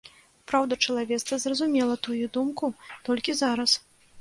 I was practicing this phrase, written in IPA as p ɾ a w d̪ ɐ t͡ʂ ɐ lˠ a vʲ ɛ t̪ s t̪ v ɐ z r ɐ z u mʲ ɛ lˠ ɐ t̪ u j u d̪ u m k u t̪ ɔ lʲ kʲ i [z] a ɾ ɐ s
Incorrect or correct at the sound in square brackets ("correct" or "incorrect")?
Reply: correct